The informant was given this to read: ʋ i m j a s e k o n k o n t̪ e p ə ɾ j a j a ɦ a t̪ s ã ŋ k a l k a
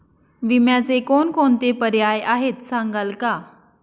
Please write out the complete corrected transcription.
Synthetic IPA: ʋ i m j a t͡s e k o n k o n t̪ e p ə ɾ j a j a ɦ e t̪ s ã ŋ ɡ a l k a